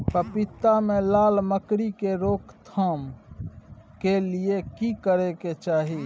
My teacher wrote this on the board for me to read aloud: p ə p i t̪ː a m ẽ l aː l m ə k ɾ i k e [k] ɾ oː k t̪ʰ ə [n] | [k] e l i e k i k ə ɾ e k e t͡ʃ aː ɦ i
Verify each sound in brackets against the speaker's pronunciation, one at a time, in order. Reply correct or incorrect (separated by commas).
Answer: incorrect, incorrect, correct